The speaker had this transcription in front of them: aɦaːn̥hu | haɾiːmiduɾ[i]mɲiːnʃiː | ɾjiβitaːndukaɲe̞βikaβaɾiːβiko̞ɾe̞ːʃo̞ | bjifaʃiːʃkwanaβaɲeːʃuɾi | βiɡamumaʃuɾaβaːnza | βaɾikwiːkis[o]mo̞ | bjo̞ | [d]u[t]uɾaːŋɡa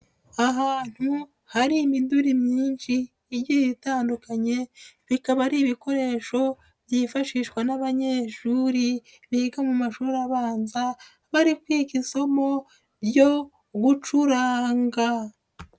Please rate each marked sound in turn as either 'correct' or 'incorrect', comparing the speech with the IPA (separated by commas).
correct, correct, incorrect, incorrect